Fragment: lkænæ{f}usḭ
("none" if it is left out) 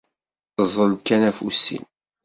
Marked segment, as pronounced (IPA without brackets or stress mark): f